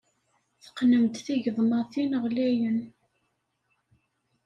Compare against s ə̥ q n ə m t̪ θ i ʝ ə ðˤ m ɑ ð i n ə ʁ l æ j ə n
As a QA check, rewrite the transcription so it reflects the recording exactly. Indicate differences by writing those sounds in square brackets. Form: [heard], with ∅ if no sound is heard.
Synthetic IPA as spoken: [θ] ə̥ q n ə m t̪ θ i ʝ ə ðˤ m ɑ [θ] i n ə ʁ l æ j ə n